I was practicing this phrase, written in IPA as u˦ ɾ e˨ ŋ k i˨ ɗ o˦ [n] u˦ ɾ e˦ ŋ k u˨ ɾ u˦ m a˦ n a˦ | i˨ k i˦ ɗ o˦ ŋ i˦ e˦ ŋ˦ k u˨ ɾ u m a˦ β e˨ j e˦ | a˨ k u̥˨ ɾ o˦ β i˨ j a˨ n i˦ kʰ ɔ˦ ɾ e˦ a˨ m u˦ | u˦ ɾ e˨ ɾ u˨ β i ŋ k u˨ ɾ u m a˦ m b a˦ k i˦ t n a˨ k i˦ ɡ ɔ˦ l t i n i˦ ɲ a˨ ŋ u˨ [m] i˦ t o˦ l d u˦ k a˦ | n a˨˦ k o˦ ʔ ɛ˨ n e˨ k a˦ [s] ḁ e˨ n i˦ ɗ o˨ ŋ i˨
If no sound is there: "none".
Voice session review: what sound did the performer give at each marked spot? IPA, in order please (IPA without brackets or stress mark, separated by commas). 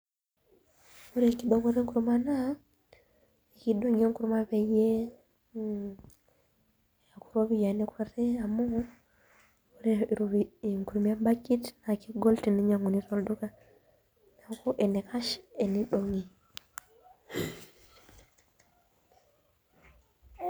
ŋ, n, ʃ